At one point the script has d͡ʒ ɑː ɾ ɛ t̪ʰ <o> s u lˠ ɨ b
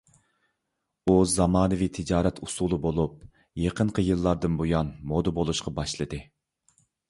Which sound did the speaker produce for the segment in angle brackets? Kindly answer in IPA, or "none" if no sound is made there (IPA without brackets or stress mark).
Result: u